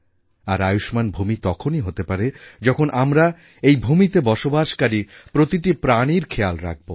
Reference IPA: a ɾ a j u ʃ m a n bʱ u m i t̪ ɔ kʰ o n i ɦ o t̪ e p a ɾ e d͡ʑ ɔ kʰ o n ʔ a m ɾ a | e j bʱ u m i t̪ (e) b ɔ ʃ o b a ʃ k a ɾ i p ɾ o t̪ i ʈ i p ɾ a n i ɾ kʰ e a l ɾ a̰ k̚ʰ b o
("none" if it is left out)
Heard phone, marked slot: e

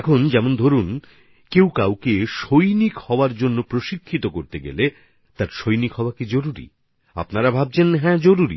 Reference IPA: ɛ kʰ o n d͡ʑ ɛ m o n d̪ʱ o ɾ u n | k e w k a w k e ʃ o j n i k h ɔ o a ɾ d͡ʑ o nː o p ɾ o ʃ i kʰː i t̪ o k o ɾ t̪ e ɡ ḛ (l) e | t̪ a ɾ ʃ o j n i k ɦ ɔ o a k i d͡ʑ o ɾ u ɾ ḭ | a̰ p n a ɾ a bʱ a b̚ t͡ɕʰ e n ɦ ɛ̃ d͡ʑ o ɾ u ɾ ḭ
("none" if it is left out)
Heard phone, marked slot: l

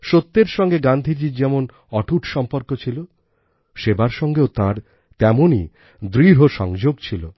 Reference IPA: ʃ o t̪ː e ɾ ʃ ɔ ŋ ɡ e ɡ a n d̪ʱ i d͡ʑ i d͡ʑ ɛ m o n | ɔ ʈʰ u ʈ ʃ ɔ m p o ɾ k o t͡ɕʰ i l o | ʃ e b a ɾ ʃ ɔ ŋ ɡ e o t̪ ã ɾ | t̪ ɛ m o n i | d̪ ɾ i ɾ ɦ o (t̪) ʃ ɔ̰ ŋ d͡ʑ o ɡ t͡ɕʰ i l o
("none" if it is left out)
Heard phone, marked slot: none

